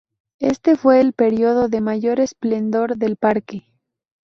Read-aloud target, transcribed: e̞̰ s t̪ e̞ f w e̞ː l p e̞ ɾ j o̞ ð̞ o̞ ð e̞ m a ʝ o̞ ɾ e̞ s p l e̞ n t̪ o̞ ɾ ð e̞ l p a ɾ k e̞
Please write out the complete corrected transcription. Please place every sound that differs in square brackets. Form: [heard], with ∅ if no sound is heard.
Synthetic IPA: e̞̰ s t̪ e̞ f w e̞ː l p e̞ ɾ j o̞ ð̞ o̞ ð e̞ m a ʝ o̞ ɾ e̞ s p l e̞ n [d̪] o̞ ɾ ð e̞ l p a ɾ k e̞